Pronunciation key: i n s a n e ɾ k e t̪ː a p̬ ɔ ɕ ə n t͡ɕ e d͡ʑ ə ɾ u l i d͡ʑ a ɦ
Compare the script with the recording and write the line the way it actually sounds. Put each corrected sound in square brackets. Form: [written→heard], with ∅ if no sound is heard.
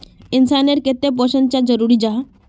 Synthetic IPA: i n s a n e ɾ k e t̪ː [a→e] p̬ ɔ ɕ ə n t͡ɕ [e→a] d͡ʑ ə ɾ u [l→ɾ] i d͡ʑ a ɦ